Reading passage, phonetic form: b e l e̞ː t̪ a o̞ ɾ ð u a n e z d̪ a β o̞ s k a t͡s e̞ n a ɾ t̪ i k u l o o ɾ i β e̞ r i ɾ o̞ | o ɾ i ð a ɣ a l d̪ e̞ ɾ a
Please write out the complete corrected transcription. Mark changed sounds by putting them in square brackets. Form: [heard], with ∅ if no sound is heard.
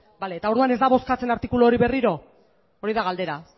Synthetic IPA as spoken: b [a] l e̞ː t̪ a o̞ ɾ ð u a n e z d̪ a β o̞ s k a t͡s e̞ n a ɾ t̪ i k u l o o ɾ i β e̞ r i ɾ o̞ | o ɾ i ð a ɣ a l d̪ e̞ ɾ a